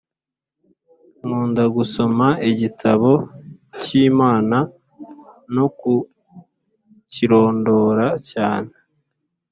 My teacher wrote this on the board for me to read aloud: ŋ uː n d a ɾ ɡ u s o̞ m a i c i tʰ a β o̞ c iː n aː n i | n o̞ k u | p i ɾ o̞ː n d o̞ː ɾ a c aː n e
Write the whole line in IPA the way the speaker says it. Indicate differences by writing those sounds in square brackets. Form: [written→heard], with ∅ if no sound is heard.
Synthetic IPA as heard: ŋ uː n d a [ɾ→∅] ɡ u s o̞ m a i [c→ɟ] i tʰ a β o̞ c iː [n→m] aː n [i→a] | n o̞ k u | [p→c] i ɾ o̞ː n d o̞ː ɾ a c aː n e